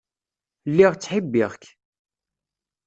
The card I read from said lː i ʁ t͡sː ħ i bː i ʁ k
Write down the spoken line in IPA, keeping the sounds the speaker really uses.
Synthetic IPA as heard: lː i ʁ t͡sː ħ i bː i ʁ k